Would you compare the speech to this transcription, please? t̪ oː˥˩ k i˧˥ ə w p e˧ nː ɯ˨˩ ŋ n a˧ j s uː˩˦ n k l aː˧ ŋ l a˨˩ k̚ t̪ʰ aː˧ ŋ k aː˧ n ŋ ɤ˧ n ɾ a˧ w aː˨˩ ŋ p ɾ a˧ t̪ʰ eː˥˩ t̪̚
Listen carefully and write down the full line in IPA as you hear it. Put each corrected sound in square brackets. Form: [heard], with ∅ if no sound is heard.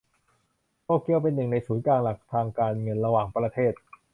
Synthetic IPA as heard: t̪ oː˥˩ k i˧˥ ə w p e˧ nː ɯ˨˩ ŋ n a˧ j s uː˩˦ n k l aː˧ ŋ l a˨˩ k̚ t̪ʰ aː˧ ŋ k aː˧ n ŋ ɤ˧ n ɾ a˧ w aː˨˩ ŋ p ɾ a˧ t̪ʰ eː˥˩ t̪̚